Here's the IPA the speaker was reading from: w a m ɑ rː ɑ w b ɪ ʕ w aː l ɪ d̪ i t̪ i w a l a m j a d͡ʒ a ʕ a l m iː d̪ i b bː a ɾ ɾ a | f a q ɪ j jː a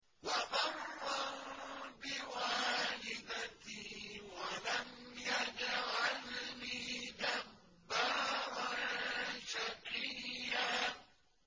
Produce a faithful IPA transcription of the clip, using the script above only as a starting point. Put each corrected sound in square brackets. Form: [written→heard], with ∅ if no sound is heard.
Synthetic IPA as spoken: w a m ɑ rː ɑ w b ɪ [ʕ→∅] w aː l ɪ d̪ [i→a] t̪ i w a l a m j a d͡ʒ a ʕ a l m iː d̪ [i→a] b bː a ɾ ɾ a | [f→ʃ] a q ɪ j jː a

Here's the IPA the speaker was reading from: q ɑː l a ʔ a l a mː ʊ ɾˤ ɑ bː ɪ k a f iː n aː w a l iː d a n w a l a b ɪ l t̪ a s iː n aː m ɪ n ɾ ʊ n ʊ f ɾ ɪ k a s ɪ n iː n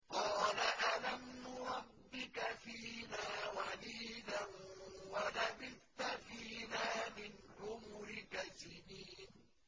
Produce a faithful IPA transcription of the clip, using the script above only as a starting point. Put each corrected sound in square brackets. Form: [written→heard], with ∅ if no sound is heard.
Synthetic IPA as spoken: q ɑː l a ʔ a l a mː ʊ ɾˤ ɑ bː ɪ k a f iː n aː w a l iː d a n w a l a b ɪ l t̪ a [s→f] iː n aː m ɪ n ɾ ʊ [n→m] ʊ [f→∅] ɾ ɪ k a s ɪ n iː n

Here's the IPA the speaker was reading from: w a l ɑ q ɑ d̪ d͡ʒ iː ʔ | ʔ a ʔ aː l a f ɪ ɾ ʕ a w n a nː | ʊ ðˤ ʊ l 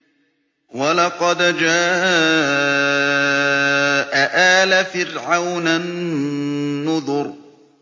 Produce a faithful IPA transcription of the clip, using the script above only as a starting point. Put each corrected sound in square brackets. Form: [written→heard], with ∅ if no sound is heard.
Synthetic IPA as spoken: w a l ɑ q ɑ d̪ d͡ʒ [iː→aː] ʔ | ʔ a ʔ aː l a f ɪ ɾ ʕ a w n a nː | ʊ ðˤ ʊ [l→ɾ]

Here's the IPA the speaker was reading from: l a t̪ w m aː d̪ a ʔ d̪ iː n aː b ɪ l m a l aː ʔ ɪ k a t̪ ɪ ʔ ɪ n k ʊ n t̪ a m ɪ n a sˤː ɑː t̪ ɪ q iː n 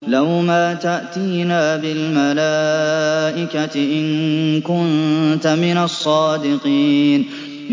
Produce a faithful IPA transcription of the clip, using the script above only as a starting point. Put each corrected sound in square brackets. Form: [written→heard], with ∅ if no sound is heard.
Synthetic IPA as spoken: l a [t̪→∅] w m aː [d̪→t̪] a ʔ [d̪→t̪] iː n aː b ɪ l m a l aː ʔ ɪ k a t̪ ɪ ʔ ɪ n k ʊ n t̪ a m ɪ n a sˤː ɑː [t̪→d̪] ɪ q iː n

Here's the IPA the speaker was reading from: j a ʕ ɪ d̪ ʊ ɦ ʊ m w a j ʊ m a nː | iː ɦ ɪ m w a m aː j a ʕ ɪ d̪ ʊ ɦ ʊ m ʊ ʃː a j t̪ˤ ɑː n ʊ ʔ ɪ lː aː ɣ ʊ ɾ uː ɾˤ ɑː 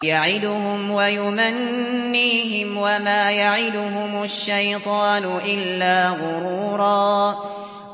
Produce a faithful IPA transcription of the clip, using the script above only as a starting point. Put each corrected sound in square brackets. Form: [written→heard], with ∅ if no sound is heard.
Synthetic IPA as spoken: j a ʕ ɪ d̪ ʊ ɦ ʊ m w a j ʊ m a nː | iː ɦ ɪ m w a m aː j a ʕ ɪ d̪ ʊ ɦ ʊ m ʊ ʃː a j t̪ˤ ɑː n ʊ ʔ ɪ lː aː ɣ ʊ ɾ uː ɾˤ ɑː

